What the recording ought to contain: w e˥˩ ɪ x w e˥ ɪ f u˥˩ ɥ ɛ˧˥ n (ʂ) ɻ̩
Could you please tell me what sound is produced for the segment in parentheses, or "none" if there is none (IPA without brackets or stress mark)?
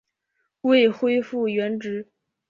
ʈ͡ʂ